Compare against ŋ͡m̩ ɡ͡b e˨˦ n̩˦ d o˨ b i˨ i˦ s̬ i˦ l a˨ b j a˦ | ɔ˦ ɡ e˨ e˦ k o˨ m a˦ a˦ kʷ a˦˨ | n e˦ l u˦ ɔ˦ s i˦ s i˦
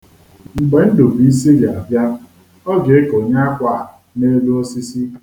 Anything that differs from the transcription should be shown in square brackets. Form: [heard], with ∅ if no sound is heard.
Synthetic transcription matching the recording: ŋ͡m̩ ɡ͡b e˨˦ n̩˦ d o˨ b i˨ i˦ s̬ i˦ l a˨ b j a˦ | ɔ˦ ɡ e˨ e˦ k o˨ [ɲ] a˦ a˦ kʷ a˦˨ | n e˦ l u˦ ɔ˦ s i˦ s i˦